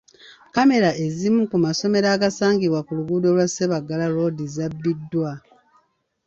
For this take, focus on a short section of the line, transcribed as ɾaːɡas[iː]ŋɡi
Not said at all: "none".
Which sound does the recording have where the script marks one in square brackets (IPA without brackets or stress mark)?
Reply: aː